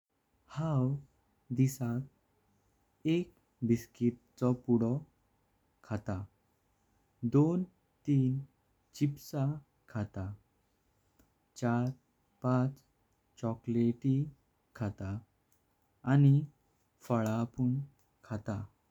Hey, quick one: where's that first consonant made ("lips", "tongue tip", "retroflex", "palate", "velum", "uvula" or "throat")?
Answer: throat